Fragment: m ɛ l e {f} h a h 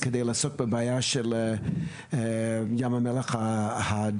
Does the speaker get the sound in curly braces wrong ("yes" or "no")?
yes